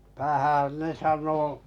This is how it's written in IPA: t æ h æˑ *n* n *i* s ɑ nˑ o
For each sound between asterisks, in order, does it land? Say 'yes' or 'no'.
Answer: yes, no

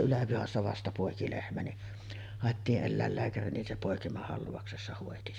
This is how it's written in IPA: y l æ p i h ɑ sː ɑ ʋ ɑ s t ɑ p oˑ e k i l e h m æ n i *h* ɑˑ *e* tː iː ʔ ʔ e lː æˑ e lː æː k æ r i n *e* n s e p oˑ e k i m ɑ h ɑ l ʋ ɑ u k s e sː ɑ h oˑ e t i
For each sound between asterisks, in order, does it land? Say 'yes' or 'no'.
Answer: yes, yes, no

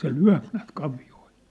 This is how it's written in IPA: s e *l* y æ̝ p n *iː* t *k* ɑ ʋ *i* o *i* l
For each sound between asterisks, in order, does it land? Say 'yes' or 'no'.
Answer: yes, no, yes, yes, yes

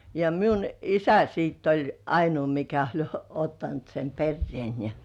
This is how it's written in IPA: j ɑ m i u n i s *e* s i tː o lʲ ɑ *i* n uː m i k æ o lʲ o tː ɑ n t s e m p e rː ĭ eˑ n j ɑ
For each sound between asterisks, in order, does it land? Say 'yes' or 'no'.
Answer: no, yes

